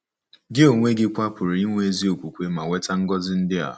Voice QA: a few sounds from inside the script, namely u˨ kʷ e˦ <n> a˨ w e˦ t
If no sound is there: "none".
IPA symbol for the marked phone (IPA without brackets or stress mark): m